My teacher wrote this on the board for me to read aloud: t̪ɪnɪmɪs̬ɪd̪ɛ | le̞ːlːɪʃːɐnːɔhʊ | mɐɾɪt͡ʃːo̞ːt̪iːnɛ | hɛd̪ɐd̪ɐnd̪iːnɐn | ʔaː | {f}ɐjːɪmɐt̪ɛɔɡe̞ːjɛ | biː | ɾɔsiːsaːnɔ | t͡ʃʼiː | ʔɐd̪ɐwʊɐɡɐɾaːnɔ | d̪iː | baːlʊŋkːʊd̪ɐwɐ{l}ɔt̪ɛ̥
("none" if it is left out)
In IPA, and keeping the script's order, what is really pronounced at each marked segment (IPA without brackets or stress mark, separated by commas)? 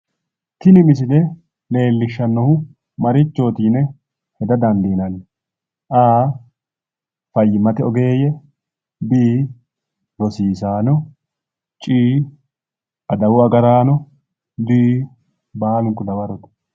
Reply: f, ɾ